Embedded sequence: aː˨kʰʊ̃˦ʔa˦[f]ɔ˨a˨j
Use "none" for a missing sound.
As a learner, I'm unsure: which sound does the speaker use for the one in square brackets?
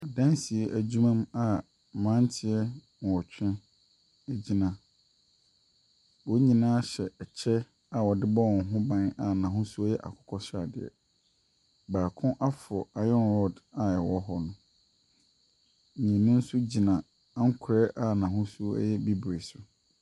f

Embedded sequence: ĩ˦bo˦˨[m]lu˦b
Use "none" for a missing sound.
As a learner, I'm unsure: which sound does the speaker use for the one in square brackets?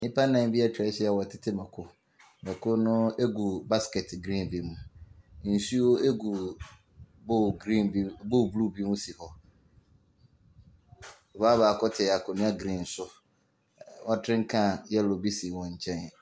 b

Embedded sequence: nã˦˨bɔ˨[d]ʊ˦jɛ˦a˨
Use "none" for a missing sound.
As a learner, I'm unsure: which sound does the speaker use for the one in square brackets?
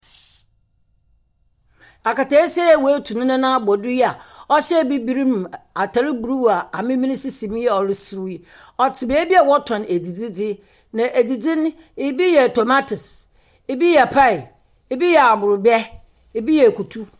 d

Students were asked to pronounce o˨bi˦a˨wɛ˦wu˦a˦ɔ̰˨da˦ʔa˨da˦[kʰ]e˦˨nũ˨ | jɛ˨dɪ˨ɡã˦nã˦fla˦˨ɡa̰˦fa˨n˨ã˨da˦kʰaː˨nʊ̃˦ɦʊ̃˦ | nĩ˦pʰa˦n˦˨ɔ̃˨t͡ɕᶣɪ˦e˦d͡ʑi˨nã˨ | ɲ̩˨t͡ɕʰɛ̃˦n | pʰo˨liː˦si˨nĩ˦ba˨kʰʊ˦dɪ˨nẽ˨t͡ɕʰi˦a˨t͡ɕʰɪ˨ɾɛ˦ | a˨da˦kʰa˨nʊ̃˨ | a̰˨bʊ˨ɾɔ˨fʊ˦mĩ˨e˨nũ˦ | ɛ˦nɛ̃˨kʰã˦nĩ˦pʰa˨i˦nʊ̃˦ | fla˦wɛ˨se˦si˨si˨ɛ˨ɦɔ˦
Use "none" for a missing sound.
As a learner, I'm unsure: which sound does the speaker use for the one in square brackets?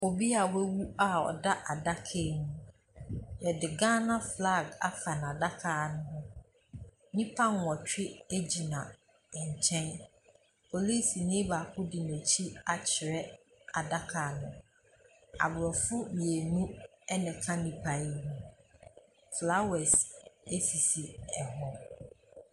kʰ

